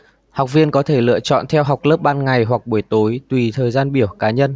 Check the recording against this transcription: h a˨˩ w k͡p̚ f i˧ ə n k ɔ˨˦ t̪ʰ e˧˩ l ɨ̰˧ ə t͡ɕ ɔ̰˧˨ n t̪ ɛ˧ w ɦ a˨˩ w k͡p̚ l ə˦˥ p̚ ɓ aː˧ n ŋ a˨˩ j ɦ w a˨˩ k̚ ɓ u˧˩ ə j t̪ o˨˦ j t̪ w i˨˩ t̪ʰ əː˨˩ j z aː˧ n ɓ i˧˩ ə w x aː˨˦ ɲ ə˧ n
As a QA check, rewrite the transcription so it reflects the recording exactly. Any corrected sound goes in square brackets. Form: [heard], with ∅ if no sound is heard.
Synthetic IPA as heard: h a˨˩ w k͡p̚ [v] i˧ ə n k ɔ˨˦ t̪ʰ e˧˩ l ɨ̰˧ ə t͡ɕ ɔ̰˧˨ n [t̪ʰ] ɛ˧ w ɦ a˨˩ w k͡p̚ l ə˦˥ p̚ ɓ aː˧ n ŋ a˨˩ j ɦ w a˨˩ k̚ ɓ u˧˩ ə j t̪ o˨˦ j t̪ w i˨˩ t̪ʰ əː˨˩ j z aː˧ n ɓ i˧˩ ə w [k] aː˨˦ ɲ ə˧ n